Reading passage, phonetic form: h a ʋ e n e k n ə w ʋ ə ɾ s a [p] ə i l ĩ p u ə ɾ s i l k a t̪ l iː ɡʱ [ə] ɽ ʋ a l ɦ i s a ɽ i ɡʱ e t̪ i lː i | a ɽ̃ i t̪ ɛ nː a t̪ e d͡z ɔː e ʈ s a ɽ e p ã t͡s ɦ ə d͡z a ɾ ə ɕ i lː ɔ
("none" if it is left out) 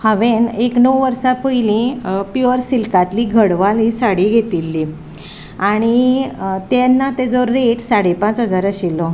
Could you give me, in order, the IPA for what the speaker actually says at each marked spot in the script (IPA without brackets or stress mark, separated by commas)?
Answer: p, ə